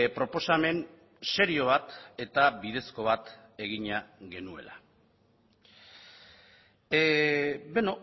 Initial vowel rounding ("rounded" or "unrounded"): rounded